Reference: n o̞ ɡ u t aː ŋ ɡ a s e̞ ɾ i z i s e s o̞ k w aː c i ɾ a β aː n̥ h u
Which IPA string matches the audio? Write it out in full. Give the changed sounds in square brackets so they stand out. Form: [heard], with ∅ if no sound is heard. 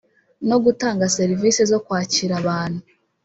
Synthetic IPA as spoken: n o̞ ɡ u t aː ŋ ɡ a s e̞ ɾ i [v] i s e [z] o̞ k w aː c i ɾ a β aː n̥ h u